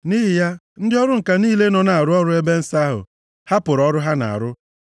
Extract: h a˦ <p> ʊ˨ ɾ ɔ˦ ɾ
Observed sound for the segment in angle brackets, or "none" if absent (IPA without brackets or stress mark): p